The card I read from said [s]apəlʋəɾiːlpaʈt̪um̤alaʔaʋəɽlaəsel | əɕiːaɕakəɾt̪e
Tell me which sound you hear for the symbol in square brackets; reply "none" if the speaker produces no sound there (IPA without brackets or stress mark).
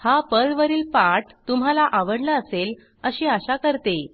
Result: h